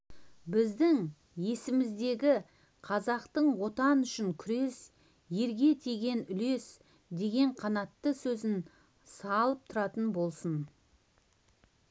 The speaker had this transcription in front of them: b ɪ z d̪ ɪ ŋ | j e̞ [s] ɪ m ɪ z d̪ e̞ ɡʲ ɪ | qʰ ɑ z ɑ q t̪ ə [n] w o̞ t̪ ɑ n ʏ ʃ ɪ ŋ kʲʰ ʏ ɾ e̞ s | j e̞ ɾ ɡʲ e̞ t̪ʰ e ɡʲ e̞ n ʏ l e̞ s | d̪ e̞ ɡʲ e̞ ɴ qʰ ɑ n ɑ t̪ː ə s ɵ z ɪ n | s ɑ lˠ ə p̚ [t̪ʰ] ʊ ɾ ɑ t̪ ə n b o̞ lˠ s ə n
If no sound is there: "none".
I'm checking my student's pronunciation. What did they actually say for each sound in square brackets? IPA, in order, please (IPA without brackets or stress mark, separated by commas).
s, ɴ, t̪ʰ